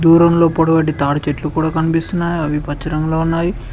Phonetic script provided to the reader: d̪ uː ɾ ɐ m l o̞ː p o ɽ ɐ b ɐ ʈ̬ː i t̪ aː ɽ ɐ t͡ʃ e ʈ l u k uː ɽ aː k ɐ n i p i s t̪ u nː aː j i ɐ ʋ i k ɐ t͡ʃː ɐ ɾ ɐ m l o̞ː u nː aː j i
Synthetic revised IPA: d̪ uː ɾ ɐ m l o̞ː p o ɽ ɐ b ɐ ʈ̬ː i t̪ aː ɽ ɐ t͡ʃ e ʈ l u k uː ɽ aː k ɐ n i p i s t̪ u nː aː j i ɐ ʋ i p ɐ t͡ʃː ɐ ɾ ɐ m l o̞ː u nː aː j i